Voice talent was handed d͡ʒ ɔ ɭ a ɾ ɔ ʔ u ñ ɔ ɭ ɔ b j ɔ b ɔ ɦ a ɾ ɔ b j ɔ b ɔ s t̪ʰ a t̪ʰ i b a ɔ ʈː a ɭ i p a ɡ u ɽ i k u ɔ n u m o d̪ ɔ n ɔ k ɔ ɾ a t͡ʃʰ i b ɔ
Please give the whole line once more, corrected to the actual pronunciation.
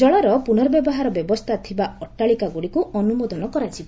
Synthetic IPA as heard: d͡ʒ ɔ ɭ a ɾ ɔ p u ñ ɔ ɾ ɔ b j ɔ b ɔ ɦ a ɾ ɔ b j ɔ b ɔ s t̪ʰ a t̪ʰ i b a ɔ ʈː a ɭ i k a ɡ u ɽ i k u ɔ n u m o d̪ ɔ n ɔ k ɔ ɾ a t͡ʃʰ i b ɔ